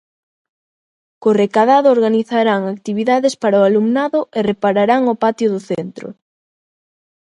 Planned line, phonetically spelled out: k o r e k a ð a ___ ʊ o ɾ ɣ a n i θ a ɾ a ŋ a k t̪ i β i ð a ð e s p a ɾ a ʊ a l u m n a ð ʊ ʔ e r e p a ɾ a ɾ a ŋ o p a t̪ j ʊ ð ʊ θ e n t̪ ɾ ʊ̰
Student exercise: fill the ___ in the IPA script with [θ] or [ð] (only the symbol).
ð